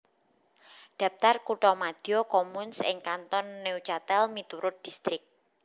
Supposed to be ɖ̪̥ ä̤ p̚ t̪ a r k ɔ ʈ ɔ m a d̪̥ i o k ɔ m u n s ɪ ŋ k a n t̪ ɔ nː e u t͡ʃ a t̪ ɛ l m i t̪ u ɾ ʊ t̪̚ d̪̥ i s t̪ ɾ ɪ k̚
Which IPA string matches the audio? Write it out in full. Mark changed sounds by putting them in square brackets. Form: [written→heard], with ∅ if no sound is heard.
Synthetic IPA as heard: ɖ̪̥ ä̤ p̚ t̪ a r k [ɔ→u] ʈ ɔ m a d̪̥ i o k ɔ m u n s ɪ ŋ k a n t̪ ɔ nː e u t͡ʃ a t̪ ɛ l m i t̪ u ɾ ʊ t̪̚ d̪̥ i s t̪ ɾ ɪ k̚